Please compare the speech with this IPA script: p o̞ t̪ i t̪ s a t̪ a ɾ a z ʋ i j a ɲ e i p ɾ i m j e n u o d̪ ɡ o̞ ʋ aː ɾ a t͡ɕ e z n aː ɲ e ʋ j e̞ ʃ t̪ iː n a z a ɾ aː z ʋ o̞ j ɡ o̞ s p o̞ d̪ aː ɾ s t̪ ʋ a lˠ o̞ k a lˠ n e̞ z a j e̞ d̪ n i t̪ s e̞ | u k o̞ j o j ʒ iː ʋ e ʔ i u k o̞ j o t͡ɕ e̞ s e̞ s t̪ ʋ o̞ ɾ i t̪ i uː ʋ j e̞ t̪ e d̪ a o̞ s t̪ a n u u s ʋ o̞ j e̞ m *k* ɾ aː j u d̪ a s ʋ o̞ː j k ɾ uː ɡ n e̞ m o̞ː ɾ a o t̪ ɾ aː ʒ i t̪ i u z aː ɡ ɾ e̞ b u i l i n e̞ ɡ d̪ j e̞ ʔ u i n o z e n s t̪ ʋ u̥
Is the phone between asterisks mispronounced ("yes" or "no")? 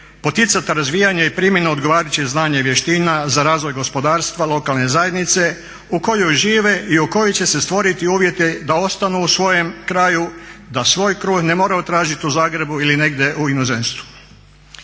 no